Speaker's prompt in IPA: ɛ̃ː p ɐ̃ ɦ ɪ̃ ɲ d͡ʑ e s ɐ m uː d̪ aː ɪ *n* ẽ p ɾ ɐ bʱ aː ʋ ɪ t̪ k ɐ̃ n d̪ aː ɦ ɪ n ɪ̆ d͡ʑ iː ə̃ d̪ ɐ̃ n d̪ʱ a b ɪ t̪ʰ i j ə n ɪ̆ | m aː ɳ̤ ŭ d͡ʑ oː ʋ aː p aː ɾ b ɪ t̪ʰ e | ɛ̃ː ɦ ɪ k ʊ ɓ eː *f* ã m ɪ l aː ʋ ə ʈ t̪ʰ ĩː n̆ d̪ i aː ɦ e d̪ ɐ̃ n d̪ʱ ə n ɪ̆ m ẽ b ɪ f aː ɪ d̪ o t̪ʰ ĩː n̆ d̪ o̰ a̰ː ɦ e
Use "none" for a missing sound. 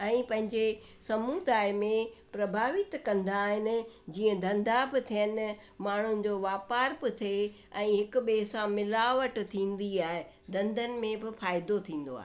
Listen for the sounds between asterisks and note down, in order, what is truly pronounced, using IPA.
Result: m, s

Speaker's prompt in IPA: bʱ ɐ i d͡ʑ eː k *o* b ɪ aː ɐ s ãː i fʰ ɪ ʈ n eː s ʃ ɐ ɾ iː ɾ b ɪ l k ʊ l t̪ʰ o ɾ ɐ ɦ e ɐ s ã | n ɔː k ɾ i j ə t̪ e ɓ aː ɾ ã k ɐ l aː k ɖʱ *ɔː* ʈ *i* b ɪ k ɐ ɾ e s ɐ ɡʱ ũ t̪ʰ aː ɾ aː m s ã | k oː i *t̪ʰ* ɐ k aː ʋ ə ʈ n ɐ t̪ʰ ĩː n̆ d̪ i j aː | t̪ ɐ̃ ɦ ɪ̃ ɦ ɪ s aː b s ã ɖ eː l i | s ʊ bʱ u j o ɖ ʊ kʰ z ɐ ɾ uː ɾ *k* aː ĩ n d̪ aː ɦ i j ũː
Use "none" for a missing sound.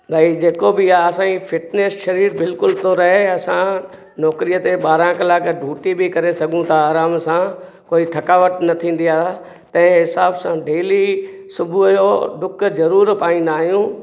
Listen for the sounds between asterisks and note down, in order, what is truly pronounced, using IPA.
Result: o, uː, i, t̪ʰ, p

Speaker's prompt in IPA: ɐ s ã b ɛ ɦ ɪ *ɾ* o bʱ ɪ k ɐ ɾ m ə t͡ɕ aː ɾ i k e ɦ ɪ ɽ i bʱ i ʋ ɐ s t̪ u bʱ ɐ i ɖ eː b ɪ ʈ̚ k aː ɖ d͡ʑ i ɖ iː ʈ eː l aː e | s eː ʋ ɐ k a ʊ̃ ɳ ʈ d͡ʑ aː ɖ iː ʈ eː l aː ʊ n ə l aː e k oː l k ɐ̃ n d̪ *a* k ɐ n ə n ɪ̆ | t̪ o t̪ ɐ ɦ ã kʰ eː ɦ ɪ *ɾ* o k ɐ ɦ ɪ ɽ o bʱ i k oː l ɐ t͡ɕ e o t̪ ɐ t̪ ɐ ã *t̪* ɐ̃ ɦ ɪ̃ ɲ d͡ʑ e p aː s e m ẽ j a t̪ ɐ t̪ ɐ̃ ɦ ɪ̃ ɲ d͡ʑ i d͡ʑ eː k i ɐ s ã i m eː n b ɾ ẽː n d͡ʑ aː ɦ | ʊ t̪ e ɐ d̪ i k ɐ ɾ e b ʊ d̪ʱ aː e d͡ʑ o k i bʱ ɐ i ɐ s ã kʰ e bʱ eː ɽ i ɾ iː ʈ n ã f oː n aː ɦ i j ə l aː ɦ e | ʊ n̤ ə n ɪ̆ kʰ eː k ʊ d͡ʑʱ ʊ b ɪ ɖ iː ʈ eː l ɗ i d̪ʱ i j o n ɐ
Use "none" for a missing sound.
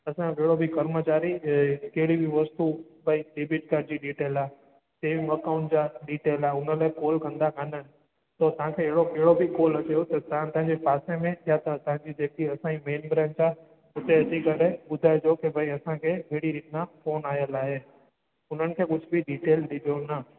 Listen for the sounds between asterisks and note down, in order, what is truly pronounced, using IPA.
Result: ɽ, a, ɽ, t̪

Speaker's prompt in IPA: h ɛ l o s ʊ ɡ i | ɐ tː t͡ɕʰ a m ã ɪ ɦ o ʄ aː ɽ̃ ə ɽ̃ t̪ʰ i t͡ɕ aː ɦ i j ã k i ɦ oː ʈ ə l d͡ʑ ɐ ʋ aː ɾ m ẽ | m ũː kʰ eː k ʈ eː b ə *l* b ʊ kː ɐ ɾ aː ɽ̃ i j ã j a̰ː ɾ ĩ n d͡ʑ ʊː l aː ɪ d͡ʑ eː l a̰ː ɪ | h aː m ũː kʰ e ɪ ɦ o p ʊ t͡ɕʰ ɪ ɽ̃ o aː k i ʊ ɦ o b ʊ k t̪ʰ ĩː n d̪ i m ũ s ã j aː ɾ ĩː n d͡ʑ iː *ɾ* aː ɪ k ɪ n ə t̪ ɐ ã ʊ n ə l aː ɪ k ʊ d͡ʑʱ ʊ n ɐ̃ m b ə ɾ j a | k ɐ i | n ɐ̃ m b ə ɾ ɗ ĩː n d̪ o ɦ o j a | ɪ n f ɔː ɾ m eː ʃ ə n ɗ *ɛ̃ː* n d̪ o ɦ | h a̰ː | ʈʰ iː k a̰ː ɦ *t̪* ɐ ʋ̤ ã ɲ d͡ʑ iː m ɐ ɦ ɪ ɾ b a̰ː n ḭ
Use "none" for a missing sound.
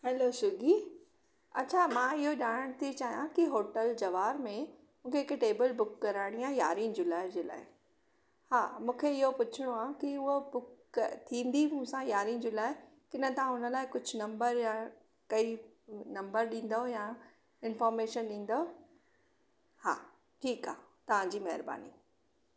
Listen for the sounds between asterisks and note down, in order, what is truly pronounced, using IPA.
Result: l, l, ĩː, t̪

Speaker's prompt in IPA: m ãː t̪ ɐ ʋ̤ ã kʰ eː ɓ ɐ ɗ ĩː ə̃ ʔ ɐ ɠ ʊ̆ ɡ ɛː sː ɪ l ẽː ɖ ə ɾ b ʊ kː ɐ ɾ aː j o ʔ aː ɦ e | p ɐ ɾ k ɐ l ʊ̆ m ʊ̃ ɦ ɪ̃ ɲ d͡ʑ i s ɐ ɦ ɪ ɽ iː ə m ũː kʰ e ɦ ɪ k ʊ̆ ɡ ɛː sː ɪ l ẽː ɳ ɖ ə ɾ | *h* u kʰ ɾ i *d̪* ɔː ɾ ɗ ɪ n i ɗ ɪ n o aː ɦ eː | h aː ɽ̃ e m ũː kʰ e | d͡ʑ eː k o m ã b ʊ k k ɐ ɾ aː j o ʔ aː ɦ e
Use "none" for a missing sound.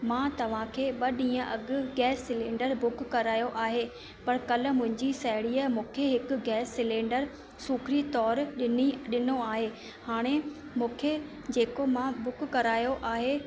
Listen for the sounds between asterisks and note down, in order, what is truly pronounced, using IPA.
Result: s, t̪

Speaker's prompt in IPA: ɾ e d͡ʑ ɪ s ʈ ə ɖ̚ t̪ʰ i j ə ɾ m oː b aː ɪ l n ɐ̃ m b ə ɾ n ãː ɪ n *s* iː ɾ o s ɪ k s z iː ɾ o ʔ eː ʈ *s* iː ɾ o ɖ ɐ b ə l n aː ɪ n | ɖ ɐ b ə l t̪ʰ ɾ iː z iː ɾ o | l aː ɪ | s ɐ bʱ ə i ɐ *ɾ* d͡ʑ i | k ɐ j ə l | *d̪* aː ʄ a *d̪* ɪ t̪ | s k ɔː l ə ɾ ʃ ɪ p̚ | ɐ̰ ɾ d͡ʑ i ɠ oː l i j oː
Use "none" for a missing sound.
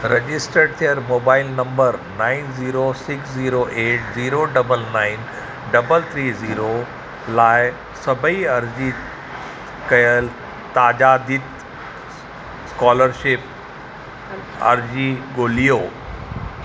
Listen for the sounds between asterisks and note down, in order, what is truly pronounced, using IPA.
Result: z, z, ɾ, t̪, d̪

